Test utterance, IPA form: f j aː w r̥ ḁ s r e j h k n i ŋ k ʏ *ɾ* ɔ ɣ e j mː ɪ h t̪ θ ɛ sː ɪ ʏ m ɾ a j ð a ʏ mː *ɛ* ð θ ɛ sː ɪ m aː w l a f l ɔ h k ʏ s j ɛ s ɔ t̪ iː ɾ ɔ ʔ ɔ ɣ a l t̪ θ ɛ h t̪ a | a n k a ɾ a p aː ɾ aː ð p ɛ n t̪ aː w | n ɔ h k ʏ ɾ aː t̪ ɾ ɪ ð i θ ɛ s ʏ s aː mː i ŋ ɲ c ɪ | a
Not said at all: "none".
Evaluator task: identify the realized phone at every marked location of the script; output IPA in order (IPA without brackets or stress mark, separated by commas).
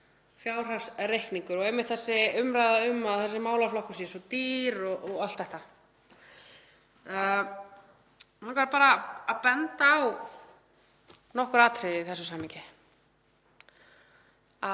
ɾ, a